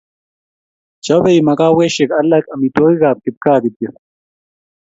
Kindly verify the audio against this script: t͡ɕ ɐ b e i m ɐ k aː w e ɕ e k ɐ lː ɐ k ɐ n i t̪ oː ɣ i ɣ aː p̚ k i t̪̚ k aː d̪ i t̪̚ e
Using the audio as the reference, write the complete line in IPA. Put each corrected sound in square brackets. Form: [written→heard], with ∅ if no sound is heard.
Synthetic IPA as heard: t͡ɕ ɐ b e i m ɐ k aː w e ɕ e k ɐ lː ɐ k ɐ [n→m] i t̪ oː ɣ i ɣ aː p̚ k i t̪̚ k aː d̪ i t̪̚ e